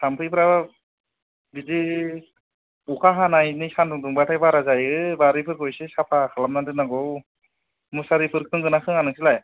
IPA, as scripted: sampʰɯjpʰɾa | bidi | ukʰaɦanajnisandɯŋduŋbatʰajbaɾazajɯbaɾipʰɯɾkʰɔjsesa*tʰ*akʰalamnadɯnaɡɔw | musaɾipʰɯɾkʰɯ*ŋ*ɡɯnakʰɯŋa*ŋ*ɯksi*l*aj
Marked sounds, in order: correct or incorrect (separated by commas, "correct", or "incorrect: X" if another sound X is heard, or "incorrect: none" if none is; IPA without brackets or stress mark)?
incorrect: pʰ, correct, incorrect: n, correct